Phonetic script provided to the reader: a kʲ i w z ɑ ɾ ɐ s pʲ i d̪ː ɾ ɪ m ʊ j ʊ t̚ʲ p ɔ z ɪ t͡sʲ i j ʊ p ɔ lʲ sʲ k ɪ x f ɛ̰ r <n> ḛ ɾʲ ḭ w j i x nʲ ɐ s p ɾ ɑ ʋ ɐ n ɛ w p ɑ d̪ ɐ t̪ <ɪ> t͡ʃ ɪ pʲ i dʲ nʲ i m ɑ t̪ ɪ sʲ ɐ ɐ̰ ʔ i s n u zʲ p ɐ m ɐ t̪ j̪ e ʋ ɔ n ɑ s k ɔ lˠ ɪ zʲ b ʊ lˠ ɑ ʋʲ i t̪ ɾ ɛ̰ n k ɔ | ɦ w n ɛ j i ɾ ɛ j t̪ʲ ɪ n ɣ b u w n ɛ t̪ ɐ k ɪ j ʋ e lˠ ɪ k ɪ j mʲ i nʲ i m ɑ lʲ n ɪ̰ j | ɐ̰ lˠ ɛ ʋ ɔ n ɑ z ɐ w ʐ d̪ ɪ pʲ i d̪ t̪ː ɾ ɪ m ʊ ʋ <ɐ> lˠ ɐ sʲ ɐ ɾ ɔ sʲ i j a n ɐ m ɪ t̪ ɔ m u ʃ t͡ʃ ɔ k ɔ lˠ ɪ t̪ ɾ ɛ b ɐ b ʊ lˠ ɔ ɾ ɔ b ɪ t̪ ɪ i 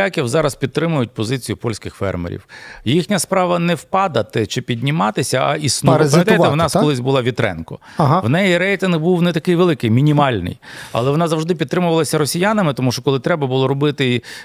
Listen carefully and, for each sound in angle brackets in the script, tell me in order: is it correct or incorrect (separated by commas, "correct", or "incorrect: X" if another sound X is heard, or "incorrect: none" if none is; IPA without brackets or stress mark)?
incorrect: m, correct, correct